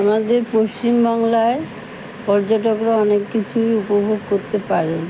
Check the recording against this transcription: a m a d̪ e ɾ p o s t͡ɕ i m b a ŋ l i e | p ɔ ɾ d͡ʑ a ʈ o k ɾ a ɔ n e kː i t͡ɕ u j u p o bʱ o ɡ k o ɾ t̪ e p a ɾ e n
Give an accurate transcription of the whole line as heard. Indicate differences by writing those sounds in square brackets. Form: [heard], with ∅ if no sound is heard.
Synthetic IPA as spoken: a m a d̪ e ɾ p o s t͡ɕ i m b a ŋ l [a] e | p ɔ ɾ d͡ʑ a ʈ o k ɾ a ɔ n e kː i [t͡ɕʰ] u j u p o bʱ o ɡ k o ɾ t̪ e p a ɾ e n